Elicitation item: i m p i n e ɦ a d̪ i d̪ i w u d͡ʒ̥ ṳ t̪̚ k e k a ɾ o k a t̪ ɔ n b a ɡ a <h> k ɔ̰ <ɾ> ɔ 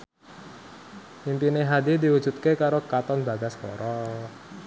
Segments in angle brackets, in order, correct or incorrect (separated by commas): incorrect, correct